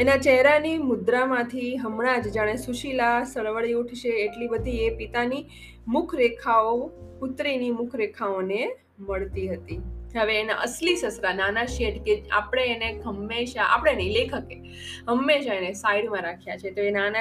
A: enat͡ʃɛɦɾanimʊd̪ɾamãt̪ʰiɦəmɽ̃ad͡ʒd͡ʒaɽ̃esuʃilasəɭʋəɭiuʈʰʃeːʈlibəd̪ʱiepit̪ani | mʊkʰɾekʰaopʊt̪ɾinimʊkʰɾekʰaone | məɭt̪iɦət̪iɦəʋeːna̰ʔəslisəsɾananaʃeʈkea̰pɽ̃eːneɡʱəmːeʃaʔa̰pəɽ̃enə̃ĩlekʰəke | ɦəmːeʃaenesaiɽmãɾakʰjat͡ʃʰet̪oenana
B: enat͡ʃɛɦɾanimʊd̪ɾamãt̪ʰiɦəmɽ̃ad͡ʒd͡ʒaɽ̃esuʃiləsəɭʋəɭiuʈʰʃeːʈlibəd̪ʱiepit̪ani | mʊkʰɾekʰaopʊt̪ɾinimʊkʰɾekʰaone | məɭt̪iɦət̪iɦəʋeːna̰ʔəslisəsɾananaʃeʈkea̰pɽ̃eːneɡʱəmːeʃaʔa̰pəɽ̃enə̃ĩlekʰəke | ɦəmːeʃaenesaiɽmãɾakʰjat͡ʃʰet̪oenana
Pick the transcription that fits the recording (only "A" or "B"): A